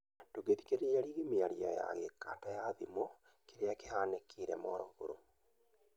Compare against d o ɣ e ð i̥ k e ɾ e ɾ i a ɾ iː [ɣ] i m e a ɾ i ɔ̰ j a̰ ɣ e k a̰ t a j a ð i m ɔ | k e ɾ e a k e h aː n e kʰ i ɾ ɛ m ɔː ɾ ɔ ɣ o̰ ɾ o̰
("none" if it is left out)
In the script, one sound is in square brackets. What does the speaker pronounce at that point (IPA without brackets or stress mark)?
ɣ